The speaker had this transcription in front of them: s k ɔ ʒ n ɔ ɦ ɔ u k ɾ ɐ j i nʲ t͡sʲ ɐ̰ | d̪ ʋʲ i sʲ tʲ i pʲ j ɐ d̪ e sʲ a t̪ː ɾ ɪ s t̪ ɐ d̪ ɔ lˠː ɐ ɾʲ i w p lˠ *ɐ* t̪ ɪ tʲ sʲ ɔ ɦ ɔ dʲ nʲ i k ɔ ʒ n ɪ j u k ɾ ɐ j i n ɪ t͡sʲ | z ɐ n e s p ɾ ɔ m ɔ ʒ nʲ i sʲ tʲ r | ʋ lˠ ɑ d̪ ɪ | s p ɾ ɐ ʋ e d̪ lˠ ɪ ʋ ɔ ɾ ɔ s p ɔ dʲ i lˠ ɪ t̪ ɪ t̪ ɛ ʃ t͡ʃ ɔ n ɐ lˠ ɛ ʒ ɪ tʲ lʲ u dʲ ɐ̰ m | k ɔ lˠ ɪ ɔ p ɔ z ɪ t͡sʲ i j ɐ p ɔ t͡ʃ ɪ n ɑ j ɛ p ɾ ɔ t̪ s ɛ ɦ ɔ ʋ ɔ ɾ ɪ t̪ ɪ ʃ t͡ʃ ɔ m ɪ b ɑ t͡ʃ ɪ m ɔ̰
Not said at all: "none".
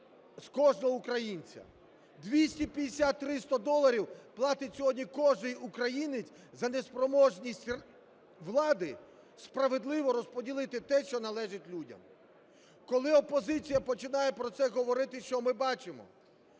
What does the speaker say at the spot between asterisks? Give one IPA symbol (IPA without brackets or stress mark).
ɑ